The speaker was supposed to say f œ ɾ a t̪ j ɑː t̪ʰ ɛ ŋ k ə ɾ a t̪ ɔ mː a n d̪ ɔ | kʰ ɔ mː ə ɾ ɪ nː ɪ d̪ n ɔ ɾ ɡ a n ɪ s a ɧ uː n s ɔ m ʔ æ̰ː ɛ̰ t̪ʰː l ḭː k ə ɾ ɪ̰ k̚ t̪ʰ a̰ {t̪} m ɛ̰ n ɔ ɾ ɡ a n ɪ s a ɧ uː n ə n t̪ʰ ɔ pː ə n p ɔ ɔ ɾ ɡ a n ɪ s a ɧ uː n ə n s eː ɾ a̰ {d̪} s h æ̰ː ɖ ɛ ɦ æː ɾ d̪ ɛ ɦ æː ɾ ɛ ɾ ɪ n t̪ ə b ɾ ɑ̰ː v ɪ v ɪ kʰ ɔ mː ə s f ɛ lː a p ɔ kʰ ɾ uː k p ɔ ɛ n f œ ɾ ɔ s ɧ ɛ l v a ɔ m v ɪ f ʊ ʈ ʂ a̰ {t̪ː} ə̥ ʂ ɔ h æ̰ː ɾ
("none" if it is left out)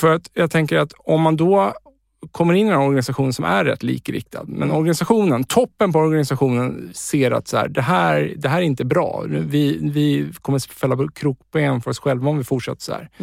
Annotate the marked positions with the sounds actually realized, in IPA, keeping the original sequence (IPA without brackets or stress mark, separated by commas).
d̪, t̪, t̪ː